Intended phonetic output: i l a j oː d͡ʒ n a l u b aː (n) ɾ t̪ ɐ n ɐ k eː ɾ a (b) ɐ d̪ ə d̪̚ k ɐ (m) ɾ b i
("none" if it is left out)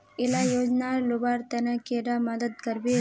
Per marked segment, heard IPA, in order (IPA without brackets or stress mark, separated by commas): none, m, none